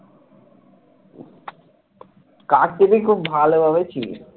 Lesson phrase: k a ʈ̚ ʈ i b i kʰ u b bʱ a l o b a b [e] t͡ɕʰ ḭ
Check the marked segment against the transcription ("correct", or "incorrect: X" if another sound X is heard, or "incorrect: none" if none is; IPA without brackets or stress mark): correct